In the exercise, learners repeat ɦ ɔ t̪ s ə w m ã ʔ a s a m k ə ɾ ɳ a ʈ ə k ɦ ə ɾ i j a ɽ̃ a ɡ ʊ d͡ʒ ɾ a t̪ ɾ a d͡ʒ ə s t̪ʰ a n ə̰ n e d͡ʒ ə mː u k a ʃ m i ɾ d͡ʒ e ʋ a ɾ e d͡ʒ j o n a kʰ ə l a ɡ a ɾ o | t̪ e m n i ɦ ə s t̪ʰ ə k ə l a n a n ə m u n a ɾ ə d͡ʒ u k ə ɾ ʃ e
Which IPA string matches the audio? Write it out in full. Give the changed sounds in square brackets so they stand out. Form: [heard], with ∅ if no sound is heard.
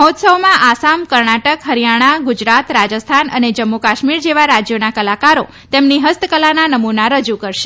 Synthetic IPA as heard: ɦ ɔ t̪ s ə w m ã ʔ a s a m k ə ɾ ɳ a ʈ ə k ɦ ə ɾ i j a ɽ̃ a ɡ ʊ d͡ʒ ɾ a t̪ ɾ a d͡ʒ ə s t̪ʰ a n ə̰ n e d͡ʒ ə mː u k a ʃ m i ɾ d͡ʒ e ʋ a ɾ [a] d͡ʒ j o n a [k] ə l a [k] a ɾ o | t̪ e m n i ɦ ə s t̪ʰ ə k ə l a n a n ə m u n a ɾ ə d͡ʒ u k ə ɾ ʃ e